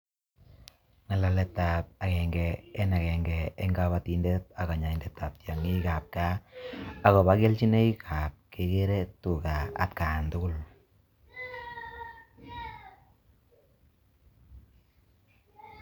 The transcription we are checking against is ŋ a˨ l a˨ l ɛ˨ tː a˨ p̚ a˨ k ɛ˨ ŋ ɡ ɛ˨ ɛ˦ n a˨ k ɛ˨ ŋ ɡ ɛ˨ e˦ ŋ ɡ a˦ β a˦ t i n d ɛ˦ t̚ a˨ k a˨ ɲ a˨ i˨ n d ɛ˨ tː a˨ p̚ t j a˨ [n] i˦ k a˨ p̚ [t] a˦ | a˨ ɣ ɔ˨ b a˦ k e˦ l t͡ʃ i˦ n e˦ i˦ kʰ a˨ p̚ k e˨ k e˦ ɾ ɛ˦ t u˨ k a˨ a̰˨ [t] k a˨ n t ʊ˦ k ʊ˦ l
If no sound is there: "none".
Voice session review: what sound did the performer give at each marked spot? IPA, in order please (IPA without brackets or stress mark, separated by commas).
ŋ, k, t